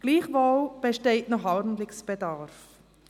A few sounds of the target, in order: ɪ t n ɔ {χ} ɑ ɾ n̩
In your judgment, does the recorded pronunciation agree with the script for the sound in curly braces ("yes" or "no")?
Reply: yes